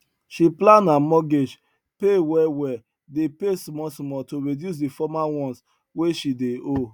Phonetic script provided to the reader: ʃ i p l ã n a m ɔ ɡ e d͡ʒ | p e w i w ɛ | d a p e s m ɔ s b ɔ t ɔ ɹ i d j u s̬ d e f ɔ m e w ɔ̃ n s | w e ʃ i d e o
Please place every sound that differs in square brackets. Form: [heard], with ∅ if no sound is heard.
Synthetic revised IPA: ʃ i p l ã n a m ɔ ɡ e d͡ʒ | p e w [ɛ] w ɛ | d [e] p e s m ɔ s [m] ɔ t [o] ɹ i d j u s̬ d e f ɔ m [a] w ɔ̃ n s | w e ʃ i d e o